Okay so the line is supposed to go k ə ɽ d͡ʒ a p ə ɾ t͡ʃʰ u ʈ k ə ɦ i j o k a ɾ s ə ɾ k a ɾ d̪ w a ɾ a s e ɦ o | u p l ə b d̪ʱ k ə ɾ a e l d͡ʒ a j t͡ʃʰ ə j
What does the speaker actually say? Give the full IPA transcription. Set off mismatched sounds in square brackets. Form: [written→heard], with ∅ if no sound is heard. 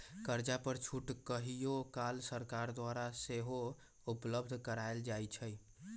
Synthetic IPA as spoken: k ə [ɽ→ɾ] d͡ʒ a p ə ɾ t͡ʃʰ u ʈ k ə ɦ i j o k a [ɾ→l] s ə ɾ k a ɾ d̪ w a ɾ a s e ɦ o | u p l ə b d̪ʱ k ə ɾ a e l d͡ʒ a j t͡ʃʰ ə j